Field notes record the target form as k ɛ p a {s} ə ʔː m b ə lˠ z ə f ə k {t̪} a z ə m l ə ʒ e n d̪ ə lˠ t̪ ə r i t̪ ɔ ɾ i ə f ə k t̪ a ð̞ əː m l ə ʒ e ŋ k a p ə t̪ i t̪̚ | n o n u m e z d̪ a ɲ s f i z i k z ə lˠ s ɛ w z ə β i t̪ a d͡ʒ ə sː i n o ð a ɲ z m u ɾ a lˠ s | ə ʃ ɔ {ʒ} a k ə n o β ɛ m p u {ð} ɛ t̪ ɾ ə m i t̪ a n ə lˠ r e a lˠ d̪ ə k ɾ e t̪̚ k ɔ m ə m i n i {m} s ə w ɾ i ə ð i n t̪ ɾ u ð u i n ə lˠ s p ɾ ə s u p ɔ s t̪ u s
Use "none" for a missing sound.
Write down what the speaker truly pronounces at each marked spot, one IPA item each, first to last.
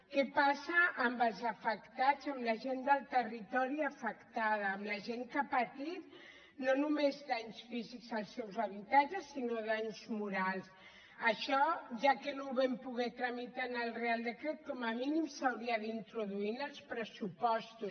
s, t̪, ʒ, ɣ, m

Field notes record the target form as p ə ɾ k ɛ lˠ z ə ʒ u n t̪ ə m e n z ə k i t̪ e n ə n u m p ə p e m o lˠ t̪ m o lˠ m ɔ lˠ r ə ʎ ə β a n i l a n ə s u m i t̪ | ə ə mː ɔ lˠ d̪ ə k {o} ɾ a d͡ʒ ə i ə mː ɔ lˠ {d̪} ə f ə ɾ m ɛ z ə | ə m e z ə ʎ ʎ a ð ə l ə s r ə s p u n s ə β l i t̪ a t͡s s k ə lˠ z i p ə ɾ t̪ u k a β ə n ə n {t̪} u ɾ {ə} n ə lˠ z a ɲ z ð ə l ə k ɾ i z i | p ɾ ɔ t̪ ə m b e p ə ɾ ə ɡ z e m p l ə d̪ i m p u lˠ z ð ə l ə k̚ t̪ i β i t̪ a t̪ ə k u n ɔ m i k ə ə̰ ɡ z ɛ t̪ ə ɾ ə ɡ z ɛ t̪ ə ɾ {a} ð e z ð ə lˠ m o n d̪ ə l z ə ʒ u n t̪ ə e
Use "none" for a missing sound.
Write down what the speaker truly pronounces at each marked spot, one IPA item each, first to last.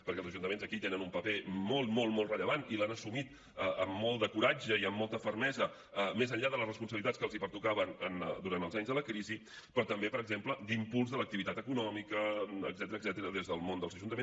u, t̪, d̪, a, ə

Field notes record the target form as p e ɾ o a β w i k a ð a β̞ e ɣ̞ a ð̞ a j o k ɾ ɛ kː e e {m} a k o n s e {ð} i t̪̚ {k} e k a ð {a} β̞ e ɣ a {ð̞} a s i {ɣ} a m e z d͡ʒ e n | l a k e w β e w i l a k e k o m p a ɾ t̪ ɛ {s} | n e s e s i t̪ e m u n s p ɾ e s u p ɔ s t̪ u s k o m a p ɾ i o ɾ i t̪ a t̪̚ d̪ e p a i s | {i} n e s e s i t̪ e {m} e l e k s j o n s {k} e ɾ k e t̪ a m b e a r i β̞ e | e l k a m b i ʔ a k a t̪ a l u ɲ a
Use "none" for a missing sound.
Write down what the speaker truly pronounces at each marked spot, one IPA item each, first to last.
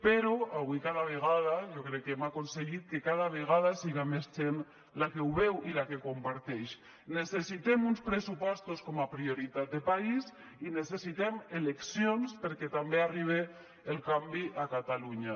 m, ɣ, k, a, ð̞, ɣ, ʃ, i, m, p

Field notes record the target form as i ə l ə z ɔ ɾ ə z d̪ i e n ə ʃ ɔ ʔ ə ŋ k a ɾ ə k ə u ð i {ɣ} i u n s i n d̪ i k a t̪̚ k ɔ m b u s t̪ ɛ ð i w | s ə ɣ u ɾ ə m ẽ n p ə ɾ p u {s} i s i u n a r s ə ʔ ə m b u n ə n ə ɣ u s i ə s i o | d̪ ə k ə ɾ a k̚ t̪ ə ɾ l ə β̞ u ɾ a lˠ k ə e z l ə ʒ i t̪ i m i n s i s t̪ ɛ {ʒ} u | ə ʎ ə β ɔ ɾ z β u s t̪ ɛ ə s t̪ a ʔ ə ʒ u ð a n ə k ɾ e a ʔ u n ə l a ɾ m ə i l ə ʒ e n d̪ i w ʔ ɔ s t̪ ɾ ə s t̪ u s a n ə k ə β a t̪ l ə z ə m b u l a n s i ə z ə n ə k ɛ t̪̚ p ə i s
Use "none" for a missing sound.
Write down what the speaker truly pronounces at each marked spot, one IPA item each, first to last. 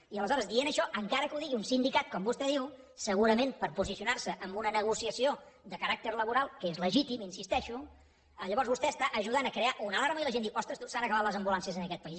ɣ, z, ʃ

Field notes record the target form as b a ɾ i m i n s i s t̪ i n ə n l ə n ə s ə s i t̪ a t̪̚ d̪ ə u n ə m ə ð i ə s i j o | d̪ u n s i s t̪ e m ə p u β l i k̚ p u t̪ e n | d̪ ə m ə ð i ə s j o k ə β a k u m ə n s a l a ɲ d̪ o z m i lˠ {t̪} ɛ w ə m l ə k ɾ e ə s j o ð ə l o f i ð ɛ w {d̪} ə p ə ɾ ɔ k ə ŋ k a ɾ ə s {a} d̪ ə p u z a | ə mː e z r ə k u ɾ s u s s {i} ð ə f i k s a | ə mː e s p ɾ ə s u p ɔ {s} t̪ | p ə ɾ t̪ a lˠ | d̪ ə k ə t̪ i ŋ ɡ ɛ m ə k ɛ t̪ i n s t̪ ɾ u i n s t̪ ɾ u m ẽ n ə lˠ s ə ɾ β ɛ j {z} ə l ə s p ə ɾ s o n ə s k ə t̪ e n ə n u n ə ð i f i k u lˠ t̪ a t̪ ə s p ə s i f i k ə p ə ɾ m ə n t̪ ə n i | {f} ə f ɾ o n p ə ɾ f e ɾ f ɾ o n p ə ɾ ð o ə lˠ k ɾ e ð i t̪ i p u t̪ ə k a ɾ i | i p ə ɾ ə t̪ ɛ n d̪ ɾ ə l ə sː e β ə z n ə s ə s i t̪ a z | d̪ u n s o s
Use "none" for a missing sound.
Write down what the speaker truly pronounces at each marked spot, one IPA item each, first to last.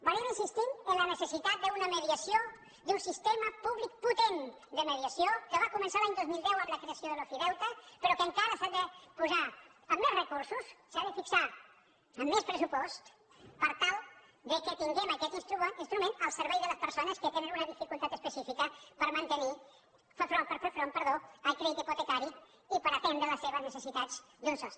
d̪, t̪, a, a, s, ð, f

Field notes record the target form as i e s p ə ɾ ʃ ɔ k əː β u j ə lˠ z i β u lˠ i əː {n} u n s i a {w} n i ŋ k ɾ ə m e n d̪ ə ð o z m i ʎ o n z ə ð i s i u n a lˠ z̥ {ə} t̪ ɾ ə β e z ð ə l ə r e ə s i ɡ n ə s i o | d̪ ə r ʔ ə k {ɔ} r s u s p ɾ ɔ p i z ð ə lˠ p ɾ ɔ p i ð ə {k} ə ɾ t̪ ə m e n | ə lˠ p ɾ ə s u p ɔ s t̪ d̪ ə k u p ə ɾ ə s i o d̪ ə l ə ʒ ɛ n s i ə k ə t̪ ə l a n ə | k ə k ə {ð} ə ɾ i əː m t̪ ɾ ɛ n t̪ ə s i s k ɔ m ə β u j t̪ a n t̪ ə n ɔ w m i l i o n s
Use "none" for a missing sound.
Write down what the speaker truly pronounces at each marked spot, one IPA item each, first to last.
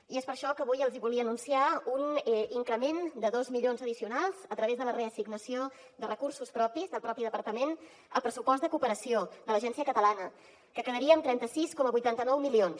n, u, ə, u, p, ð

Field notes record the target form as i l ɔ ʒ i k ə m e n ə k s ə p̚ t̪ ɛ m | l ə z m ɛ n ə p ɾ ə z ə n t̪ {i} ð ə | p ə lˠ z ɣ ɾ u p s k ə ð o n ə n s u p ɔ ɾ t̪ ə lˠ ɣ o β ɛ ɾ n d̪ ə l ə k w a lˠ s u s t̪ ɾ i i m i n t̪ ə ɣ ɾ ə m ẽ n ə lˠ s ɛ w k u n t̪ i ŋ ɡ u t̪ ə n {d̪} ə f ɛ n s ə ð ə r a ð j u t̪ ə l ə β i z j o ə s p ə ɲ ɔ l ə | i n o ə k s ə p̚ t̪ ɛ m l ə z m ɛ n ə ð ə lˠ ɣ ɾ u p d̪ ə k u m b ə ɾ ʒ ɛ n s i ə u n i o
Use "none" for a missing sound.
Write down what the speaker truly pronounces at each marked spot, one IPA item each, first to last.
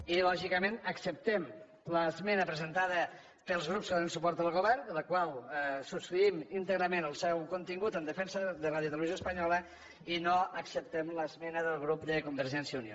a, d̪

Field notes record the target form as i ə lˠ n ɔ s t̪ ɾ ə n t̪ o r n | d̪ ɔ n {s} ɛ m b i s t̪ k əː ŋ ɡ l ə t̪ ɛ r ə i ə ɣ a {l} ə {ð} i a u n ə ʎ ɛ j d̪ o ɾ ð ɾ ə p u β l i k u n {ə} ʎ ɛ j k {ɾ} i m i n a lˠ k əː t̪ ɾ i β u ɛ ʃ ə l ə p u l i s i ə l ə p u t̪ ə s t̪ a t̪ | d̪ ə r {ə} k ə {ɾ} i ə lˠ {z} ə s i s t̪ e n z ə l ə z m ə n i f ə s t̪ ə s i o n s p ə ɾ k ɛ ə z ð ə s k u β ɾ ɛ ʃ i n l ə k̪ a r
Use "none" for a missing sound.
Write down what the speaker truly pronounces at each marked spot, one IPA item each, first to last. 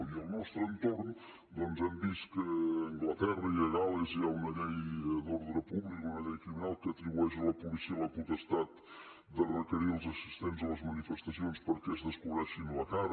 z, l, z, ə, ɾ, ə, ɾ, z

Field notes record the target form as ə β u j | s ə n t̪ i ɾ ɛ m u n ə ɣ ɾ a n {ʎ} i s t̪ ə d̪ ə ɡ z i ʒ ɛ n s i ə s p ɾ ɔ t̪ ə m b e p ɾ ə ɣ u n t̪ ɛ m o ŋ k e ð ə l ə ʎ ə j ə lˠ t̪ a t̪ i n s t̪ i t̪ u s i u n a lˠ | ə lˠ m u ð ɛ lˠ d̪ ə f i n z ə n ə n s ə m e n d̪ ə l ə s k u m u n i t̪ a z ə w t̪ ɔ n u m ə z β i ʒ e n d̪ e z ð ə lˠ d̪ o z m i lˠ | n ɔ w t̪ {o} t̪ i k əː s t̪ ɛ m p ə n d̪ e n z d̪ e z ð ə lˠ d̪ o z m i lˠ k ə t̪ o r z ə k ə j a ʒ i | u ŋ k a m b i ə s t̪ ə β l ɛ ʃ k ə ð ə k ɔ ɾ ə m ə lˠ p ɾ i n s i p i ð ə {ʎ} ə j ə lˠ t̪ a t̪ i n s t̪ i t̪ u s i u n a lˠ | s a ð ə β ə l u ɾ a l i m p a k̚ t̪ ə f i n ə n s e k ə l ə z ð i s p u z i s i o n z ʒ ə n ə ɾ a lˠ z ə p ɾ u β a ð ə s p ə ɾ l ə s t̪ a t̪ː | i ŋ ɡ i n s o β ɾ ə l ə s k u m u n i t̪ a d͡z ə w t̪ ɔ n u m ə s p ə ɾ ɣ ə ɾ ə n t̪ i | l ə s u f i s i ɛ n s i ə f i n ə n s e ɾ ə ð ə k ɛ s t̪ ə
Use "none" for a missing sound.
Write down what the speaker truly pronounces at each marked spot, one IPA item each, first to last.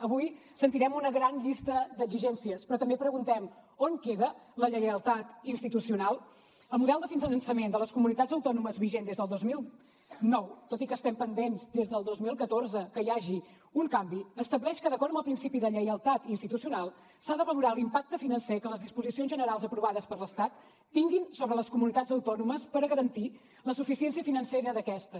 ʎ, o, ʎ

